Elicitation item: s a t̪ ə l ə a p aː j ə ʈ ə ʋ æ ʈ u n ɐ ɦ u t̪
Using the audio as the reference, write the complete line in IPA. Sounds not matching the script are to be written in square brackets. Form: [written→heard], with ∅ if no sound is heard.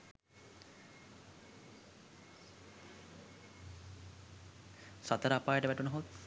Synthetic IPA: s a t̪ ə [l→ɾ] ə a p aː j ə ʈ ə ʋ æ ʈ u n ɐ ɦ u t̪